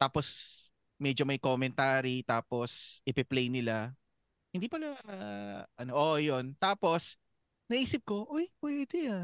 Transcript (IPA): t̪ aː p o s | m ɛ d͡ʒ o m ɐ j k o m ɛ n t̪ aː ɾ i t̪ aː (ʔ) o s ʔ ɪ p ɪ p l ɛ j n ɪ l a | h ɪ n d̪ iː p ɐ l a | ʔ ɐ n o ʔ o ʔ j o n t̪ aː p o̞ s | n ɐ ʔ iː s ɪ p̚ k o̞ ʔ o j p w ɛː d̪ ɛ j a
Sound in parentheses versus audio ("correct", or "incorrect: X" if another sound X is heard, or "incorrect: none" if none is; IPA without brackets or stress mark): incorrect: p